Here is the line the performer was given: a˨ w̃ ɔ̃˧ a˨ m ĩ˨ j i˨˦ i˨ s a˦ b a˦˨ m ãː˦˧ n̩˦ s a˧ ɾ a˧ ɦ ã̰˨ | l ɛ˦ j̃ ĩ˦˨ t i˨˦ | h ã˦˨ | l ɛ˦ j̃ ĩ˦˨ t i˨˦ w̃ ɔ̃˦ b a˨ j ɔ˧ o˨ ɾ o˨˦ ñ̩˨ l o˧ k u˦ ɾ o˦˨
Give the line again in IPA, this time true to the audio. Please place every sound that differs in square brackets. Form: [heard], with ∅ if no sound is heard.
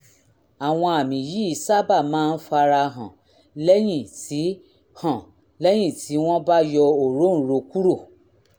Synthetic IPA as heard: a˨ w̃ ɔ̃˧ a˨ m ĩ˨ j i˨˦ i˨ s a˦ b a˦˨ m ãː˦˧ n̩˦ [f] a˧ ɾ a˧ ɦ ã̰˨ | l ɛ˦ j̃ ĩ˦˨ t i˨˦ | h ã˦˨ | l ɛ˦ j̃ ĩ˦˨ t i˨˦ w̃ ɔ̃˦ b [a˦] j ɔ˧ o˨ ɾ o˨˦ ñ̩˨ [ɾ] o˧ k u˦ ɾ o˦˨